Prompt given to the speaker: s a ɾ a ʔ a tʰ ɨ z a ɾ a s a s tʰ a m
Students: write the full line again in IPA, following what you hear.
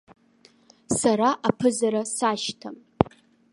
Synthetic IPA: s a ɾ a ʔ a pʰ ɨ z a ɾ a s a ʃ tʰ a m